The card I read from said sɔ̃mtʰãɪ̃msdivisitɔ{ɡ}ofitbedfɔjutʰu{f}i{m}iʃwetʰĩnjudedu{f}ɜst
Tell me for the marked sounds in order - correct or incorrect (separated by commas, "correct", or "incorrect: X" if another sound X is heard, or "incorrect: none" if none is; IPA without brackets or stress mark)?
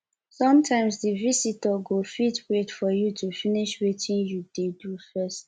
correct, correct, incorrect: n, correct